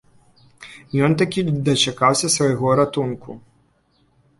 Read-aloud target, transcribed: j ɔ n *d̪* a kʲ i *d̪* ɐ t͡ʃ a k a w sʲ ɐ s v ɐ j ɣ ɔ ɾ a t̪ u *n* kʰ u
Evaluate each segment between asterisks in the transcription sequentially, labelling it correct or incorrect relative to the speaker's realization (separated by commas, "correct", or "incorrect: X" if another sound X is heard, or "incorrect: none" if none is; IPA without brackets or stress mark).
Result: incorrect: t̪, correct, correct